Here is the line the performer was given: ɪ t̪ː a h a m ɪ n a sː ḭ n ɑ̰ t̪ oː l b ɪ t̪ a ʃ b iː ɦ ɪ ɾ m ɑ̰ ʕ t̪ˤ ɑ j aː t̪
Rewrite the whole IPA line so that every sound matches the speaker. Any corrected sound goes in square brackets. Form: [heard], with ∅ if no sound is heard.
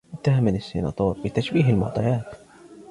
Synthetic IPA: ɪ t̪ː a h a m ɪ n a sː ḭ n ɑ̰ t̪ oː [ɾ] b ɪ t̪ a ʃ b iː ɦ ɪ [l] m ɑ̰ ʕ t̪ˤ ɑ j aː t̪